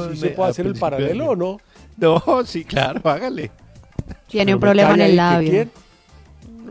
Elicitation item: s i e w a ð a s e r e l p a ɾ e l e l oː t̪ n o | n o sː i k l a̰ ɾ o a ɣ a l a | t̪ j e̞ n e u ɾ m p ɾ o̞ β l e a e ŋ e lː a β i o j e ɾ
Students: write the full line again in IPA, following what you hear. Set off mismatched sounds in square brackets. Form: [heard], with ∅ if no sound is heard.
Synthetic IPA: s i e w [e] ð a s e [ɾ] e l p a ɾ [a] l e l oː [∅] n o | n o [s] i k l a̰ ɾ o a ɣ a l [e] | t̪ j e̞ n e u [∅] m p ɾ o̞ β l e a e [n] e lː a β [j] o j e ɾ